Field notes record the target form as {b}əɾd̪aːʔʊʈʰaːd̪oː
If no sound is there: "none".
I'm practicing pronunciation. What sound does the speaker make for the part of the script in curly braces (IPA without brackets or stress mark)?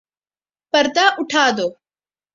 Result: p